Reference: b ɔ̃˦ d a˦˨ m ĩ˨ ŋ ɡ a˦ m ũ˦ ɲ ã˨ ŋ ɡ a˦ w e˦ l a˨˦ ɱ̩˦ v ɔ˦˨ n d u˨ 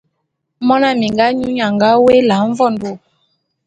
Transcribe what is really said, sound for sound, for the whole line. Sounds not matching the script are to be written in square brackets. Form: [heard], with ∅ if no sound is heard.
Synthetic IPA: [m] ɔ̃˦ [n] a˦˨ m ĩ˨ ŋ ɡ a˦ [ɲ] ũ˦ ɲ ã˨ ŋ ɡ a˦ w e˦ l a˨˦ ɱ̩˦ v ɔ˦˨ n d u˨